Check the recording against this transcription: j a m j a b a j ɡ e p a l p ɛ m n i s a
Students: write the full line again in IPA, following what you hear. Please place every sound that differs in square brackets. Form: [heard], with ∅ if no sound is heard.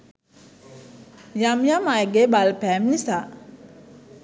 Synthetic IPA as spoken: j a m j a [m] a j ɡ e [b] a l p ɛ m n i s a

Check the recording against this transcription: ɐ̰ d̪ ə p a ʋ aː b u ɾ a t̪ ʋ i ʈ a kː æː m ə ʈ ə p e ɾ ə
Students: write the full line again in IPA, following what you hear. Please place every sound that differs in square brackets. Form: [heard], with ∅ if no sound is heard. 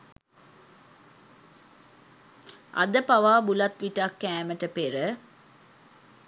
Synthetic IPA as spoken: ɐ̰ d̪ ə p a ʋ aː b u [l] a t̪ ʋ i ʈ a kː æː m ə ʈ ə p e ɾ ə

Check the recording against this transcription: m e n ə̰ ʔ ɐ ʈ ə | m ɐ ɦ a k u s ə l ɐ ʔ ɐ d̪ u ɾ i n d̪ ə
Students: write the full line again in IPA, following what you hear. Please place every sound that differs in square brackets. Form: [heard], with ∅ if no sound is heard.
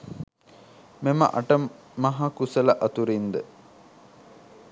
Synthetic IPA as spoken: m e [m] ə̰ ʔ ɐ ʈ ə | m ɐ ɦ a k u s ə l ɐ ʔ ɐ [t̪] u ɾ i n d̪ ə

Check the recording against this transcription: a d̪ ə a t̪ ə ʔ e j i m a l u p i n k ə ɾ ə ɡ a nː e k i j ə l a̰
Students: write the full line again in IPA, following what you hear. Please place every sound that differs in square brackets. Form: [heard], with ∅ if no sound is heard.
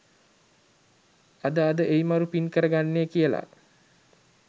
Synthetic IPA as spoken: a d̪ ə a [d̪] ə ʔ e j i m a [ɾ] u p i n k ə ɾ ə ɡ a nː e k i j ə l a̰

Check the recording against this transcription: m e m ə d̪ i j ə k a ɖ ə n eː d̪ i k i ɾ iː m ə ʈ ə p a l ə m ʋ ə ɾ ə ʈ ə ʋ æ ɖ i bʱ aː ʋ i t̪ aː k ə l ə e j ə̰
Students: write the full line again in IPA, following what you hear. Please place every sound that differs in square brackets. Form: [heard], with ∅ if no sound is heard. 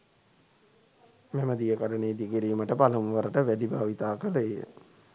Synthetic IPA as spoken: m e m ə d̪ i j ə k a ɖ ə n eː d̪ i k i ɾ iː m ə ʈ ə p a l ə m ʋ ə ɾ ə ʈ ə ʋ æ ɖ i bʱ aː ʋ i t̪ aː k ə l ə e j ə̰

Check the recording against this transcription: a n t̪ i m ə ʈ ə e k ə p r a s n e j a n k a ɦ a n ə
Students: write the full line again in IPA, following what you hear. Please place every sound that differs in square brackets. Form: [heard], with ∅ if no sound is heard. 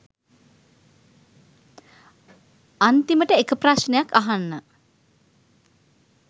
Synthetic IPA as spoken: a n t̪ i m ə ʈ ə e k ə p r a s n e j a [∅] k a ɦ a [nː] ə

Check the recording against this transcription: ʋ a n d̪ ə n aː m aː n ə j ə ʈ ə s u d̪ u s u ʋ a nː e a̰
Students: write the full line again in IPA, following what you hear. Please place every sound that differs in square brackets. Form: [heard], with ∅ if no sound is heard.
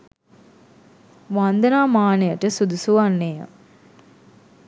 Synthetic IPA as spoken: ʋ a n d̪ ə n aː m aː n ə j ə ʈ ə s u d̪ u s u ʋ a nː e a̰

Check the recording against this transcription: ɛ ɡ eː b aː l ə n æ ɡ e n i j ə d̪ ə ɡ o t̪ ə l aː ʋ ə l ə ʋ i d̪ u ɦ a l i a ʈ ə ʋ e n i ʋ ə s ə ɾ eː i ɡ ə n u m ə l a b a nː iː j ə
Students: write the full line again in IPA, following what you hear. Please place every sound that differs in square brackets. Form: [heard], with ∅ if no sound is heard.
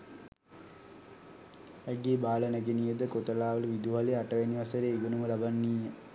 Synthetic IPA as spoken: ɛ ɡ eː b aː l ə n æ ɡ e n i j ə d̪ ə [k] o t̪ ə l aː ʋ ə l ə ʋ i d̪ u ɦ a l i a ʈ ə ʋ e n i ʋ [a] s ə ɾ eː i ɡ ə n u m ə l a b a nː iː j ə

